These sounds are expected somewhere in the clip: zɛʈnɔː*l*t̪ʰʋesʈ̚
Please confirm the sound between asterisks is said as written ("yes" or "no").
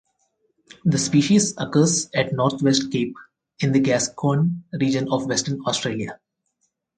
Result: no